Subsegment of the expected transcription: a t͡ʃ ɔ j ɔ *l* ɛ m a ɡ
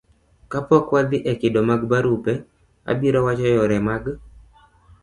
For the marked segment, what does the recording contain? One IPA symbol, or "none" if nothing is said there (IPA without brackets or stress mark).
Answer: ɾ